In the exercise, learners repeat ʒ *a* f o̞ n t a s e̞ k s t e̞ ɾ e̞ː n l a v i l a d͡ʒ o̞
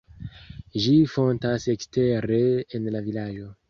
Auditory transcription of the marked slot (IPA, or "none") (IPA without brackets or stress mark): i